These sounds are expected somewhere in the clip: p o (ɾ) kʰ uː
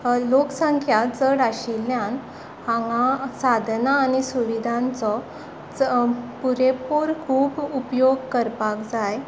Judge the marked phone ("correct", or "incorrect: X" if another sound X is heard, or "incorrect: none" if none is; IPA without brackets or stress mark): correct